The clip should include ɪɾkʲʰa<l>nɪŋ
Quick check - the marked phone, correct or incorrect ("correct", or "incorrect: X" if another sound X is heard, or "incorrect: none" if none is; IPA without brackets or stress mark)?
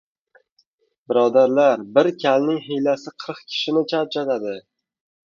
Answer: correct